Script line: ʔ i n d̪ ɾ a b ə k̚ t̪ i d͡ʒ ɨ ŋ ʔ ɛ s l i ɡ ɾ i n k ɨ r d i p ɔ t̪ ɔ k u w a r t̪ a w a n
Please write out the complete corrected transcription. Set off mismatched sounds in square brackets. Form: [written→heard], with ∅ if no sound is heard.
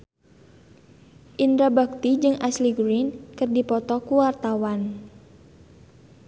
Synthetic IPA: ʔ i n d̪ ɾ a b [ə→a] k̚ t̪ i d͡ʒ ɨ ŋ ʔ [ɛ→a] s l i ɡ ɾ i n k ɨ r d i p ɔ t̪ ɔ k u w a r t̪ a w a n